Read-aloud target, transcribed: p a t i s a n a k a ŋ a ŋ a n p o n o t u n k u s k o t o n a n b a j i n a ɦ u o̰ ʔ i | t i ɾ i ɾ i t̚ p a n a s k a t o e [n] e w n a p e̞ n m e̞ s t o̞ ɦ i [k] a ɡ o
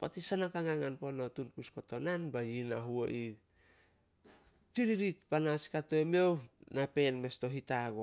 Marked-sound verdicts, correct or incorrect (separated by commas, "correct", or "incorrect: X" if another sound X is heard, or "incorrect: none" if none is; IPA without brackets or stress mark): incorrect: m, incorrect: t